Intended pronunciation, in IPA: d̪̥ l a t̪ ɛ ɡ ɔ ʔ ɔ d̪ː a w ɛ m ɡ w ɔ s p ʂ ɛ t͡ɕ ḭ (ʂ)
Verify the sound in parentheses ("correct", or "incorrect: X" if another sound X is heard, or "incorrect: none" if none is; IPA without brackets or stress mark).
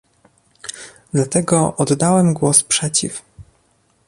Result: incorrect: f